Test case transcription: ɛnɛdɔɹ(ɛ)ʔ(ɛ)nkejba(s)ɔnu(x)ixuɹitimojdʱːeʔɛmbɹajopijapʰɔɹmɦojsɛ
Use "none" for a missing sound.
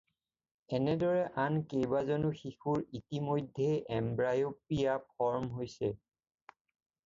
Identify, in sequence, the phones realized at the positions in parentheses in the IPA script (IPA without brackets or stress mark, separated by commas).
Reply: ɛ, a, z, x